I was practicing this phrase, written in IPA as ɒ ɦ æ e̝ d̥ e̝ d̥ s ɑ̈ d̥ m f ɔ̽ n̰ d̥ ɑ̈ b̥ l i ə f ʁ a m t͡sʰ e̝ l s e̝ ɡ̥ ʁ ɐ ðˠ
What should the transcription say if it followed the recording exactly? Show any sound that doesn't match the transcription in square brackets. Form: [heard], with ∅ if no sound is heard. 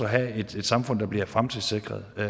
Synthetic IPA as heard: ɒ ɦ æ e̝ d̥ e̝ d̥ s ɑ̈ [∅] m f ɔ̽ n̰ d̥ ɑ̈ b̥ l i [ɐ] f ʁ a m t͡sʰ e̝ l s e̝ ɡ̥ ʁ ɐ ðˠ